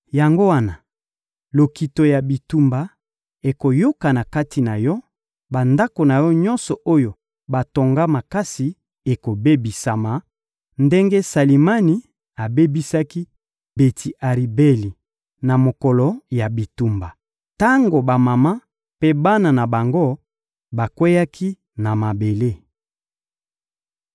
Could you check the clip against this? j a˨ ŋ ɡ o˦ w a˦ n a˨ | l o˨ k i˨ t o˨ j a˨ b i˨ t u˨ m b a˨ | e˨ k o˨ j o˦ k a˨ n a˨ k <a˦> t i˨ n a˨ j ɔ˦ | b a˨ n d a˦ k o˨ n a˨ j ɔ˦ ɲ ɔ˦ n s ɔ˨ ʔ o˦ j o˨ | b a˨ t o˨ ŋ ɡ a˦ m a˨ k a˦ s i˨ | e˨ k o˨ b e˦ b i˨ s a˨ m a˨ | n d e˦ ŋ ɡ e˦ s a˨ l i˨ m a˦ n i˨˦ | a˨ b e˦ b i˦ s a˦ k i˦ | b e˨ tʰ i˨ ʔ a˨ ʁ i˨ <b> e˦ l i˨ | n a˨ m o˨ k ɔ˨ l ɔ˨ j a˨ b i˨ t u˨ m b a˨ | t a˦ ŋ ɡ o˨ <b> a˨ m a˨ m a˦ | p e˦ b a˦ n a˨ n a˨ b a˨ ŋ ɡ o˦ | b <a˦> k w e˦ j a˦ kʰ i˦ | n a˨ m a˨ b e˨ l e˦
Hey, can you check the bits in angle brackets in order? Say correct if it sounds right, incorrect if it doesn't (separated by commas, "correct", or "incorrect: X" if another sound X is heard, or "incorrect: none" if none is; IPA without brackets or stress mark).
correct, correct, correct, incorrect: a˨